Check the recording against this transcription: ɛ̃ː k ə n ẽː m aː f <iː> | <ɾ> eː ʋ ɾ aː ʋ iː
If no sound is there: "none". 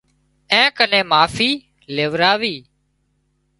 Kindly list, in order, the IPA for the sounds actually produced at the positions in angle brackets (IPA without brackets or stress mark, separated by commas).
iː, l